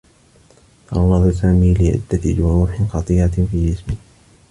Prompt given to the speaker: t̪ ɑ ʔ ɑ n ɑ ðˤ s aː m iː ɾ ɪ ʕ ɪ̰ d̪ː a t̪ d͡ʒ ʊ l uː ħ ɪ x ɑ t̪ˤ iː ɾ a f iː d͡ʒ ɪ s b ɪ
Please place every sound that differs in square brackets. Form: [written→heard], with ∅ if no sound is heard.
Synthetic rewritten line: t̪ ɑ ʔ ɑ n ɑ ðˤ s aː m iː [ɾ→l] ɪ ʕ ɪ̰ d̪ː a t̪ d͡ʒ ʊ [l→ɾ] uː ħ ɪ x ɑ t̪ˤ iː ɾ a f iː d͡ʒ ɪ s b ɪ

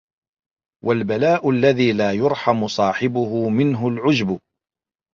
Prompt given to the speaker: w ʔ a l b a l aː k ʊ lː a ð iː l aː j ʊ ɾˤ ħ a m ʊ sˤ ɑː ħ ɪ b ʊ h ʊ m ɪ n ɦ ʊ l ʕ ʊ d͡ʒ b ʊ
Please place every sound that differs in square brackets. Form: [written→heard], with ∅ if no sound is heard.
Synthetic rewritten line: w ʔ a l b a l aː [k→ʔ] ʊ lː a ð iː l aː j ʊ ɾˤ ħ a m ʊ sˤ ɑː ħ ɪ b ʊ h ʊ m ɪ n ɦ ʊ l ʕ ʊ d͡ʒ b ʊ

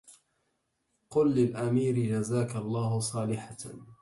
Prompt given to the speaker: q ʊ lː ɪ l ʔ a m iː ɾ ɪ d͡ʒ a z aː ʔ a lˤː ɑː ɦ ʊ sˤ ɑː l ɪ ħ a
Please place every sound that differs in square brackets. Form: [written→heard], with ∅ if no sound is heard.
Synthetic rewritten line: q ʊ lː ɪ l ʔ a m iː ɾ ɪ d͡ʒ a z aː [ʔ→k] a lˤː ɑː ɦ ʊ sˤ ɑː l ɪ ħ a

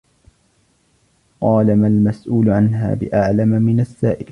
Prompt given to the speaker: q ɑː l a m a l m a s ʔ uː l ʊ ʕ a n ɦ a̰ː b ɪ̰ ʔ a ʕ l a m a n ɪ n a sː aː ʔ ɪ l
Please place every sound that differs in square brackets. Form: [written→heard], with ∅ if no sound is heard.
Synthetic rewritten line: q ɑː l a m a l m a s ʔ uː l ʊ ʕ a n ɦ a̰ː b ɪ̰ ʔ a ʕ l a m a [n→m] ɪ n a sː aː ʔ ɪ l

